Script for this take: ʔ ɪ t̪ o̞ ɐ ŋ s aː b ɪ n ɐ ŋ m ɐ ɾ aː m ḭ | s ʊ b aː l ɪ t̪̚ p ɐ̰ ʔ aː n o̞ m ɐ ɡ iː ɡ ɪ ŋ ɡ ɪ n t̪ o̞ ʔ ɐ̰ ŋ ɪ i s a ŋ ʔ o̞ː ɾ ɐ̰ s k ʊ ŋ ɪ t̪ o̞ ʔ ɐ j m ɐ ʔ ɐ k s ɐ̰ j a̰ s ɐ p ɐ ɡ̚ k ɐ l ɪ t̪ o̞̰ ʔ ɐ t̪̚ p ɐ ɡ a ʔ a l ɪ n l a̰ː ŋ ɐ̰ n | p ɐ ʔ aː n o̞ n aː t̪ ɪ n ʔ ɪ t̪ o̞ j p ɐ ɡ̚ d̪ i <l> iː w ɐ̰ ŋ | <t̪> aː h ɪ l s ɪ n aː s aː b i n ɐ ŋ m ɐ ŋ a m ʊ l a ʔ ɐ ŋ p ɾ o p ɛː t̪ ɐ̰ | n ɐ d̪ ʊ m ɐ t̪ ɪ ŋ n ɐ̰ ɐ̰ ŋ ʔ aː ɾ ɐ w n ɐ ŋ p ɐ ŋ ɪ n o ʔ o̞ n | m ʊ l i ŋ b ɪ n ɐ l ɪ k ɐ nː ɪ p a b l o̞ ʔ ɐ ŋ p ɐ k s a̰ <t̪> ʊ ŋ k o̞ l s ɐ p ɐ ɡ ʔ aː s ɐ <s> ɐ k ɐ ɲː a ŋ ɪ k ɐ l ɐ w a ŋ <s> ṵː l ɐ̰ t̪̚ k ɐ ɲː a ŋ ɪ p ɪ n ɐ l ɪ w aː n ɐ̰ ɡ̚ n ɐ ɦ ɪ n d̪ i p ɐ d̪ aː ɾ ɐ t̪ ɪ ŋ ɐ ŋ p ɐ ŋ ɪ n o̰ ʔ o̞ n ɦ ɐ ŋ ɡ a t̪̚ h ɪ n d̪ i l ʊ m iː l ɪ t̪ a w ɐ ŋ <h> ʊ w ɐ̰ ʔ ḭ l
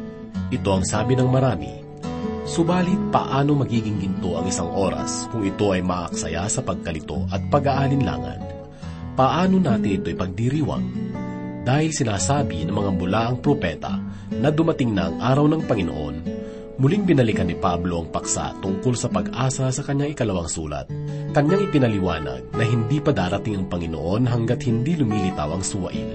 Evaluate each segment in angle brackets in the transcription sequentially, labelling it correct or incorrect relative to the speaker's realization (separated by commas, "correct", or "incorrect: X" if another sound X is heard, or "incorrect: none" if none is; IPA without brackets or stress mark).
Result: incorrect: ɾ, incorrect: d̪, correct, correct, correct, incorrect: s